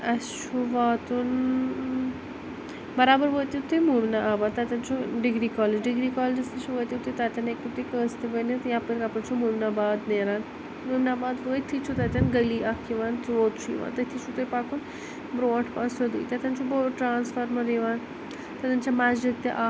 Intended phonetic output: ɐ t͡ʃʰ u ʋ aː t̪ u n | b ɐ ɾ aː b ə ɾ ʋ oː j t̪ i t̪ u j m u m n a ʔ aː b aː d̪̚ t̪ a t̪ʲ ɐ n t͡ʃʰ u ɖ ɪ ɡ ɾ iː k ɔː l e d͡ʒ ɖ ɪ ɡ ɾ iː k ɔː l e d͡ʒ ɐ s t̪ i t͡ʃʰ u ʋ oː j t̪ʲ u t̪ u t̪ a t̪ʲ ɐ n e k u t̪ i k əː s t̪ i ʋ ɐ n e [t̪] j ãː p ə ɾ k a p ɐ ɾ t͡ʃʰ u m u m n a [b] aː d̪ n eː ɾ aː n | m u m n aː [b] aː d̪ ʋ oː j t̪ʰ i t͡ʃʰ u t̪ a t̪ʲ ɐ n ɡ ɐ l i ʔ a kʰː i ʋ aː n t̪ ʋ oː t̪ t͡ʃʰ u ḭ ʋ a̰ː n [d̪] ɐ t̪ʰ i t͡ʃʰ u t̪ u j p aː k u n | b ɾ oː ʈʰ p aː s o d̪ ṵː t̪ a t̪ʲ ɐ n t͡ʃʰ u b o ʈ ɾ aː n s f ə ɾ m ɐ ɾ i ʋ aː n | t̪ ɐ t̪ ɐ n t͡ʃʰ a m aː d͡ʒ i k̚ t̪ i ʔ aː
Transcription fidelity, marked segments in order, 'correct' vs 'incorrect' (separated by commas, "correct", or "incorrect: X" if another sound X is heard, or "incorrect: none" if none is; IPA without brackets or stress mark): correct, correct, correct, incorrect: t̪